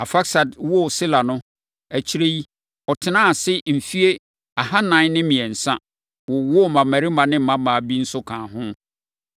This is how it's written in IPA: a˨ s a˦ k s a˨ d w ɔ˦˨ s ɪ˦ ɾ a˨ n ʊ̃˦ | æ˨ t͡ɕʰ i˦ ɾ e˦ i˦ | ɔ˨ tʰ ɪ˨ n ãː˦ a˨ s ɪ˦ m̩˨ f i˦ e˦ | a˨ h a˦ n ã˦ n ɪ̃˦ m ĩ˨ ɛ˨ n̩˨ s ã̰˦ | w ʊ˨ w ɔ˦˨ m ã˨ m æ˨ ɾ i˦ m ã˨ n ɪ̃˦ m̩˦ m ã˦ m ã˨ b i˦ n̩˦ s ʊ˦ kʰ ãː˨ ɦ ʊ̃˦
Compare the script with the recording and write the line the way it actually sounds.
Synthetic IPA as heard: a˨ f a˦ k s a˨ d w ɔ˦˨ s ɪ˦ l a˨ n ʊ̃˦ | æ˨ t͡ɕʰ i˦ ɾ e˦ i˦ | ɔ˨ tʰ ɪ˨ n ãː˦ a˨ s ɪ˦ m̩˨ f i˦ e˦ | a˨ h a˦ n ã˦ n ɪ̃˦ m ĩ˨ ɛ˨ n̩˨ s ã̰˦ | w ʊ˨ w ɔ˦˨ m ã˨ m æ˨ ɾ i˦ m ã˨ n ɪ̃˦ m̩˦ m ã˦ m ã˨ b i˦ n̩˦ s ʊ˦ kʰ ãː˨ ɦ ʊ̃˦